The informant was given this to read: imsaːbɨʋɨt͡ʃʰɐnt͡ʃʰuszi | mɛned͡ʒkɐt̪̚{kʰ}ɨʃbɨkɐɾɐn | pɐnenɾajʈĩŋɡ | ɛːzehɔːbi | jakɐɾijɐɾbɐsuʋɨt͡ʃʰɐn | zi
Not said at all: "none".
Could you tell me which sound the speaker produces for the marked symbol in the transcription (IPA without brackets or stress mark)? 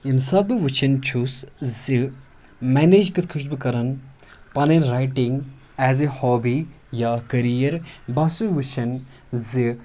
kʰ